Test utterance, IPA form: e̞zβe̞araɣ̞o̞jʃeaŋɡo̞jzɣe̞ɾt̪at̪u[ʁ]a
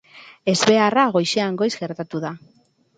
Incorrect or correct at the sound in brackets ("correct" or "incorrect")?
incorrect